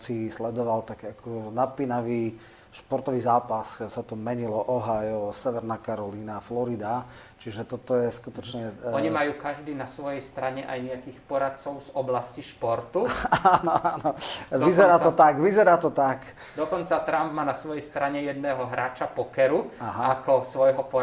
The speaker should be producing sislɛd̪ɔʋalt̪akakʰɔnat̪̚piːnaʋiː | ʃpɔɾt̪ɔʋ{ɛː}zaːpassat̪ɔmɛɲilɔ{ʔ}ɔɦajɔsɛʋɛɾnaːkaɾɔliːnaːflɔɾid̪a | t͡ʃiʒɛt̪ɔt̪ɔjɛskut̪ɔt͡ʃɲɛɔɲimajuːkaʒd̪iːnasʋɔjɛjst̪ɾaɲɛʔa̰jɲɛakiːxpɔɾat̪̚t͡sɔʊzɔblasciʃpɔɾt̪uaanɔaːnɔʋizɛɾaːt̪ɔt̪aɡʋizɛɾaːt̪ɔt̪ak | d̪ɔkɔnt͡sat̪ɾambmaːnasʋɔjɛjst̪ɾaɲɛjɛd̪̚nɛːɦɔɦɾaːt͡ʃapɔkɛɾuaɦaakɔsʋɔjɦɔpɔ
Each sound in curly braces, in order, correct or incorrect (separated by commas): incorrect, correct